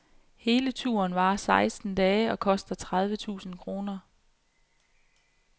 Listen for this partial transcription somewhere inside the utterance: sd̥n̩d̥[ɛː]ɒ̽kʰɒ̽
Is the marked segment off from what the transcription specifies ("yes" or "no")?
no